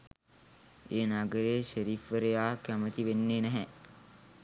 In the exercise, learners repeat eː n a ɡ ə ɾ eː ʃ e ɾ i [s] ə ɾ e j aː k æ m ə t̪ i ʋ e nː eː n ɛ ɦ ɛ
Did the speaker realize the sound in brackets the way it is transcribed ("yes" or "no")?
no